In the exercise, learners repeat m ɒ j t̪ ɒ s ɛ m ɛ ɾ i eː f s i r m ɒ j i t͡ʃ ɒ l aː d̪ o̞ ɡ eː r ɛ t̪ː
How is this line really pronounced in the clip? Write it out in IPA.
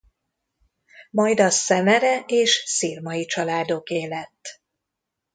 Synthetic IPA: m ɒ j d̪ ɒ s ɛ m ɛ ɾ ɛ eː ʃ s i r m ɒ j i t͡ʃ ɒ l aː d̪ o̞ k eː l ɛ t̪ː